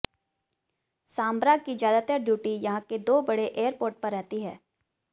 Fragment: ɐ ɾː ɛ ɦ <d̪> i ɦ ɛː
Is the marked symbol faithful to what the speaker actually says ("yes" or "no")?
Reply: no